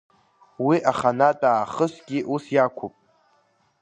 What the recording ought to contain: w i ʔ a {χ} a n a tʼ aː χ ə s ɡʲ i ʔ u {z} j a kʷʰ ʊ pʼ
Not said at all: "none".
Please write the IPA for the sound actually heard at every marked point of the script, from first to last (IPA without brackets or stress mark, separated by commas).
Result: χ, s